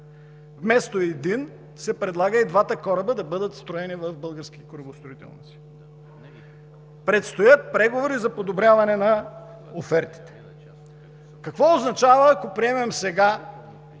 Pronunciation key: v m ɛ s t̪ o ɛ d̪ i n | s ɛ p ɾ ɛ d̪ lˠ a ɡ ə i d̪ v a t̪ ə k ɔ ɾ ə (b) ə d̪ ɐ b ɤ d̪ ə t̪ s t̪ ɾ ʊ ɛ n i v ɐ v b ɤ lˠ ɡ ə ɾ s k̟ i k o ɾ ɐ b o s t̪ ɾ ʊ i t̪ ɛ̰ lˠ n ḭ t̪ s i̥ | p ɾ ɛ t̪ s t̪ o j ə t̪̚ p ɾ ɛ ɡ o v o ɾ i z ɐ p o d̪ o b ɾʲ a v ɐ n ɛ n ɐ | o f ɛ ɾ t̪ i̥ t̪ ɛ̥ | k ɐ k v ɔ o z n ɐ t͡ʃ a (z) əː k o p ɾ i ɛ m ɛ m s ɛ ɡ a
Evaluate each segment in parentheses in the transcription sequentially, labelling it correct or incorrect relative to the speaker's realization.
correct, incorrect: v

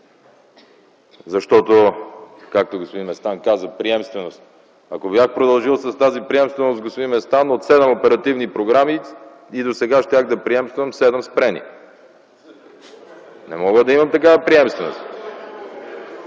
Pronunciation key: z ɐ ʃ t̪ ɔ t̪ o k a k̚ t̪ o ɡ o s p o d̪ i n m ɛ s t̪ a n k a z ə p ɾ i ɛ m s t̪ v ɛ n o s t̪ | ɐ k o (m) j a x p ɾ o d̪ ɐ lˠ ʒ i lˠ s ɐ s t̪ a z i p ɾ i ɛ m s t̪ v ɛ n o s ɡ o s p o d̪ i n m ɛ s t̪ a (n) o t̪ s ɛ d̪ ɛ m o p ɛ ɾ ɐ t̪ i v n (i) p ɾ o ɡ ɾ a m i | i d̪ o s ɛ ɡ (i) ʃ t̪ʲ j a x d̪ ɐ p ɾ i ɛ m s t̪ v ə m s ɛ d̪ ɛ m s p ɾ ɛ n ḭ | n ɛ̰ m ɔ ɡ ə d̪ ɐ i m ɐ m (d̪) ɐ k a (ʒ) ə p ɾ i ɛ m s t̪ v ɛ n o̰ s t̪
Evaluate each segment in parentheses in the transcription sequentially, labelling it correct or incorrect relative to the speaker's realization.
incorrect: b, correct, correct, incorrect: a, incorrect: t̪, incorrect: v

